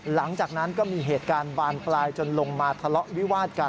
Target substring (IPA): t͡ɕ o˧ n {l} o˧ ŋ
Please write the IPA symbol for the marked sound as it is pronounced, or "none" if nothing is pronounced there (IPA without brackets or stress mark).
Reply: l